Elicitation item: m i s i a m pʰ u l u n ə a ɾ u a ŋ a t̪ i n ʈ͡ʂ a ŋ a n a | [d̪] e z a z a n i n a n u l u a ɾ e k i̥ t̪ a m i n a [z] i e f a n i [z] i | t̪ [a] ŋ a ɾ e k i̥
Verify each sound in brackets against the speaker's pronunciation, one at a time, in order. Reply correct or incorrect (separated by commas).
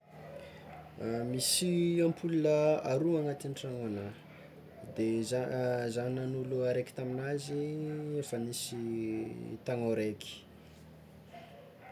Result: correct, correct, incorrect, correct